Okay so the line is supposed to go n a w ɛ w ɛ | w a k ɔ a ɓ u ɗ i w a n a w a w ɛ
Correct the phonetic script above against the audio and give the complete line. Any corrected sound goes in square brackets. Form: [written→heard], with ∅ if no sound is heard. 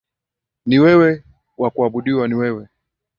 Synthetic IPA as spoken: n [a→i] w ɛ w ɛ | w a k [ɔ→u] a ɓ u ɗ i w a n [a→i] w [a→ɛ] w ɛ